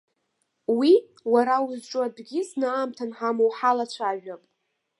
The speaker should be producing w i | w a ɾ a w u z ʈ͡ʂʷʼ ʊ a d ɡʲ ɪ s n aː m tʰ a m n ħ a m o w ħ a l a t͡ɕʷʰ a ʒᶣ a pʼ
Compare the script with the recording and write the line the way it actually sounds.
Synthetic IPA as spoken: w i | w a ɾ a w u z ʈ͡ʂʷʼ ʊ a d ɡʲ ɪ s n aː m tʰ a n ħ a m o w ħ a l a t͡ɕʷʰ a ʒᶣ a pʼ